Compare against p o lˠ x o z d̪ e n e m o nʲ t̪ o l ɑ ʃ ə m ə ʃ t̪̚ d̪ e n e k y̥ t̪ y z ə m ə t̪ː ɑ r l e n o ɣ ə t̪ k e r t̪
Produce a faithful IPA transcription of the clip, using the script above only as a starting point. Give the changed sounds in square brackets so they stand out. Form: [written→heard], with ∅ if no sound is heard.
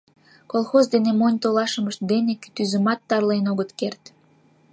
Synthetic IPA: [p→k] o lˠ x o z d̪ e n e m o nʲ t̪ o l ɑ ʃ ə m ə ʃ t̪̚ d̪ e n e k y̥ t̪ y z ə m [ə→ɑ] t̪ː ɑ r l e n o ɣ ə t̪ k e r t̪